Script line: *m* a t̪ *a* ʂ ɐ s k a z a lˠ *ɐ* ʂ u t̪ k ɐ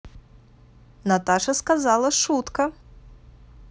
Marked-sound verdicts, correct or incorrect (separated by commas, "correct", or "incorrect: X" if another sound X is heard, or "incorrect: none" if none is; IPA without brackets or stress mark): incorrect: n, correct, correct